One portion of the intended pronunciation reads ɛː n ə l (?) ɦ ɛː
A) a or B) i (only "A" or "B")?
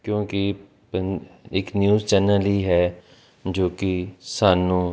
B